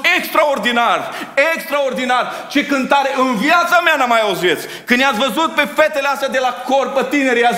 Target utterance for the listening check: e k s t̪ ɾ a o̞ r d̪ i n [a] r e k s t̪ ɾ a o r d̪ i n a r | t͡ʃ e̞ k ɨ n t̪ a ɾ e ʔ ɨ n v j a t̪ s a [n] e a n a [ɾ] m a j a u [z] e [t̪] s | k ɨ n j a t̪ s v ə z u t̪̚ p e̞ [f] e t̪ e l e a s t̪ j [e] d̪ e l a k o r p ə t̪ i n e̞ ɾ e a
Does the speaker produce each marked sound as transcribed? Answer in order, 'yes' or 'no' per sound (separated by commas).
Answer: yes, no, no, yes, yes, yes, no